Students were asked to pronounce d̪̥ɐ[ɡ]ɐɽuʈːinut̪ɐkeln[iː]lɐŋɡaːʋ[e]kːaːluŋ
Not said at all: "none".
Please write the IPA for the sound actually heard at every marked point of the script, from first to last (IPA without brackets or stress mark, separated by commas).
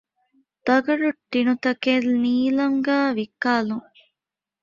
ɡ, iː, i